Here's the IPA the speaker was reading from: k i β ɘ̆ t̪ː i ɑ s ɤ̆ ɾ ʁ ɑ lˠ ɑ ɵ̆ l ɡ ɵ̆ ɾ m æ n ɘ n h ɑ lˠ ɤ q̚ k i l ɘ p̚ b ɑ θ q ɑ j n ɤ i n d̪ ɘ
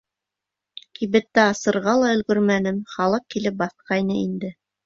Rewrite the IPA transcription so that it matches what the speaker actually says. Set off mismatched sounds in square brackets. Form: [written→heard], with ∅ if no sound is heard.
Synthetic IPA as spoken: k i β ɘ̆ t̪ː [i→æ] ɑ s ɤ̆ ɾ ʁ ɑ lˠ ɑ ɵ̆ l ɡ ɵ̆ ɾ m æ n ɘ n [h→χ] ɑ lˠ ɤ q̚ k i l ɘ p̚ b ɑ θ q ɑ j n ɤ i n d̪ ɘ